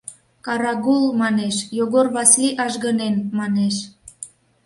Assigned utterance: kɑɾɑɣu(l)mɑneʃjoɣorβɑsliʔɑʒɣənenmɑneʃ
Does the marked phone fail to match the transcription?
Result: no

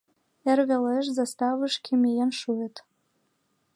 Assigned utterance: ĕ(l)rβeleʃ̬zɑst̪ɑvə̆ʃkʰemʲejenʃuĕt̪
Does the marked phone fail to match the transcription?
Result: yes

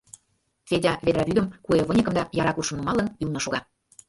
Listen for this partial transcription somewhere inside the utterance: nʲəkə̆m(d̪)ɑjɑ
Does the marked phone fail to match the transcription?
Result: no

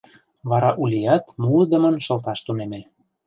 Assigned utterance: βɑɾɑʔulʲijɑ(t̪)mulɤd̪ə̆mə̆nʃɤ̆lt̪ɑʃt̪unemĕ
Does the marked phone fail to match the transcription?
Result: no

